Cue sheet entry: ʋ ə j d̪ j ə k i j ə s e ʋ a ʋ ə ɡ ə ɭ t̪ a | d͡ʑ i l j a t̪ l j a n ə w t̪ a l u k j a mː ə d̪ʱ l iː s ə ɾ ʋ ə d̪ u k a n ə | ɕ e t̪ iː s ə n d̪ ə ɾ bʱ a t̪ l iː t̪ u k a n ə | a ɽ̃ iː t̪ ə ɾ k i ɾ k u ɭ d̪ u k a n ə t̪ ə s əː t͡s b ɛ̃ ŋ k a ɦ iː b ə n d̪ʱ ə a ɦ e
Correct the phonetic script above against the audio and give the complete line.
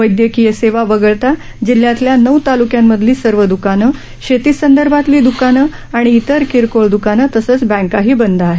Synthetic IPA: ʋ ə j d̪ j ə k i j ə s e ʋ a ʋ ə ɡ ə ɭ t̪ a | d͡ʑ i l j a t̪ l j a n ə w t̪ a l u k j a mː ə d̪ʱ l iː s ə ɾ ʋ ə d̪ u k a n ə | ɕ e t̪ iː s ə n d̪ ə ɾ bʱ a t̪ l iː d̪ u k a n ə | a ɽ̃ iː t̪ ə ɾ k i ɾ k o ɭ d̪ u k a n ə t̪ ə s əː t͡s b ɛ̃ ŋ k a ɦ iː b ə n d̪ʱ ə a ɦ e